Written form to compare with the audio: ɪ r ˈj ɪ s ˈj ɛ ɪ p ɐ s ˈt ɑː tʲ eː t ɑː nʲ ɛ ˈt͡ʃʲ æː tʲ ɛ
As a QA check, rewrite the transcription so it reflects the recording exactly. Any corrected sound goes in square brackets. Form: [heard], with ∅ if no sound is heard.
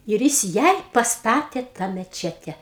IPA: ɪ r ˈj ɪ s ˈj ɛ ɪ p ɐ s ˈt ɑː tʲ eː t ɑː [mʲ] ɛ ˈt͡ʃʲ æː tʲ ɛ